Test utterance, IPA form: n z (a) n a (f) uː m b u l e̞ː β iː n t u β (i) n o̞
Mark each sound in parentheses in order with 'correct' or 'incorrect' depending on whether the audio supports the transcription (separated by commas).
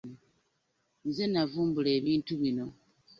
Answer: incorrect, incorrect, correct